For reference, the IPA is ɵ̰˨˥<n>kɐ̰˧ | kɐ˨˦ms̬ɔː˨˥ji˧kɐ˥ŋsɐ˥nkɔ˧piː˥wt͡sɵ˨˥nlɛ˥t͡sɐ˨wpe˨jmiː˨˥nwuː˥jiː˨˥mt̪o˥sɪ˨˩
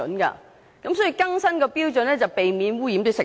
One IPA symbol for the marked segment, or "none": n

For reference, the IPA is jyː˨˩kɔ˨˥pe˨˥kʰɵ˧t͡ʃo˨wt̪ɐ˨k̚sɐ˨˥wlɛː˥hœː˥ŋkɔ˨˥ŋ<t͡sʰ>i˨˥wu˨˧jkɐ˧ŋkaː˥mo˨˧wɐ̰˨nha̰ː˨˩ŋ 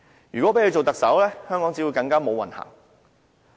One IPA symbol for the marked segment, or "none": t͡s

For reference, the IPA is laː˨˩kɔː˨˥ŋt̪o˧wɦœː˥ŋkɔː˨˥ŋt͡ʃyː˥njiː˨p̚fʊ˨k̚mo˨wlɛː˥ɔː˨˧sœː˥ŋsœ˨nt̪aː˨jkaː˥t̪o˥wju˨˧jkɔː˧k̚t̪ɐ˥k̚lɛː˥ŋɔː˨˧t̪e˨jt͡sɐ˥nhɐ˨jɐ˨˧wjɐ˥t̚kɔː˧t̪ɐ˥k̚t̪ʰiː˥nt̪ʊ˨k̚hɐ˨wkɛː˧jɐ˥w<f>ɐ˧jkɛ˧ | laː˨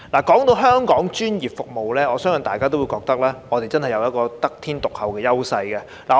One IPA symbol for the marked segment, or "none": s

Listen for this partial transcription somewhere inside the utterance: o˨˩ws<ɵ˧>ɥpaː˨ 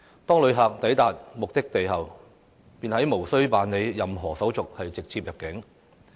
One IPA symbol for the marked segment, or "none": ɵ˥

